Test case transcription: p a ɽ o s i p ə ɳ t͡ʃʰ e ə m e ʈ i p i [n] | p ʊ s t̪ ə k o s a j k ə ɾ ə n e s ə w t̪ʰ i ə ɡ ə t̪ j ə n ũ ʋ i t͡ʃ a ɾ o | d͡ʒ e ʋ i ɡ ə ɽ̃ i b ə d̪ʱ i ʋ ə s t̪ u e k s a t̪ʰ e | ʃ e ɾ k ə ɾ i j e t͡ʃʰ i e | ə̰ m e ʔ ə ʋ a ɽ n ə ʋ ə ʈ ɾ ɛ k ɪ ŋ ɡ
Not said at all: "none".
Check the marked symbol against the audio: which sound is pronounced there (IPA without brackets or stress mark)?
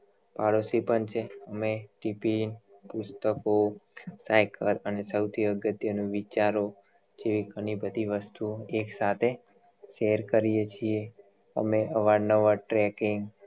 n